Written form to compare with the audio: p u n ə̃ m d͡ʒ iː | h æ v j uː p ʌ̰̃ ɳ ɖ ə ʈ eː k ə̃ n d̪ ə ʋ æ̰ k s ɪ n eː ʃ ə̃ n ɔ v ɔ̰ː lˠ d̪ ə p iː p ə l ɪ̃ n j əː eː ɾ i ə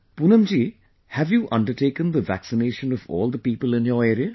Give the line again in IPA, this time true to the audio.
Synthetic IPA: p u n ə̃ m d͡ʒ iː | h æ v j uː ʔ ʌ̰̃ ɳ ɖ ə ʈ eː k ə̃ n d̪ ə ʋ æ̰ k s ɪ n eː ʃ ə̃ n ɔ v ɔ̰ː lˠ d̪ ə p iː p ə l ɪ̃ n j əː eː ɾ i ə

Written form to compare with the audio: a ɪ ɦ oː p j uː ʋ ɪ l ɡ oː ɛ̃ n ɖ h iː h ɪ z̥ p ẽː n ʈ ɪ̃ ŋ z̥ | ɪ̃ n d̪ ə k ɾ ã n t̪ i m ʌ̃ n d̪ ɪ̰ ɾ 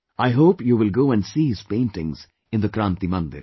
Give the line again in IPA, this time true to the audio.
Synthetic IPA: a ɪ ɦ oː p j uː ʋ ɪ l ɡ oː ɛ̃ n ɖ s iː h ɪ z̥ p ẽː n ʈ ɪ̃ ŋ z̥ | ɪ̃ n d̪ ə k ɾ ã n t̪ i m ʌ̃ n d̪ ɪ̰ ɾ

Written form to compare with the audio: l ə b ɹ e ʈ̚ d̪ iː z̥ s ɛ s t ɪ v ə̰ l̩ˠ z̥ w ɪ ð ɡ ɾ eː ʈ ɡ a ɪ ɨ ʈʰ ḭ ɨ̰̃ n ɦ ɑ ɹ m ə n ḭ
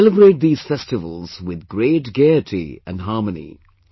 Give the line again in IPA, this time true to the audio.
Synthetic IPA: l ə b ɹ e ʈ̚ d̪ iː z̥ f ɛ s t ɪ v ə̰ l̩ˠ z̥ w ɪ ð ɡ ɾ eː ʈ ɡ e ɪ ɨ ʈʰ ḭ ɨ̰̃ n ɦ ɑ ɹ m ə n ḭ

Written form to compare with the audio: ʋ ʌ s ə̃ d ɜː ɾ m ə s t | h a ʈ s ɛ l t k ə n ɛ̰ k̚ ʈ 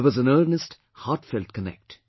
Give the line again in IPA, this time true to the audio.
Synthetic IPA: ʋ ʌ z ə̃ n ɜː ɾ n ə s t | h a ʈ f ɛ l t k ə n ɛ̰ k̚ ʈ

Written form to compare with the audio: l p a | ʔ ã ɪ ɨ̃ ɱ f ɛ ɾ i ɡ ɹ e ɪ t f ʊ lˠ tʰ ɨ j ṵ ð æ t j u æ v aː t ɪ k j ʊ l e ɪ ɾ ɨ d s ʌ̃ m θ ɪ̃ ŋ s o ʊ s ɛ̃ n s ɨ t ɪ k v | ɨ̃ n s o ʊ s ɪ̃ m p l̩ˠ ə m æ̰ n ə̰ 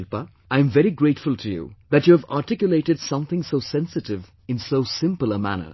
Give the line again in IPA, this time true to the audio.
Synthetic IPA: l p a | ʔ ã ɪ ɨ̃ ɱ v ɛ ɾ i ɡ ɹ e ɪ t f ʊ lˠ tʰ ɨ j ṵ ð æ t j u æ v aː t ɪ k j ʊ l e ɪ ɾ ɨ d s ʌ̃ m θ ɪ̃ ŋ s o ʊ s ɛ̃ n s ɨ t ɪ v | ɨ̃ n s o ʊ s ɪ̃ m p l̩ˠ ə m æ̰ n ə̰

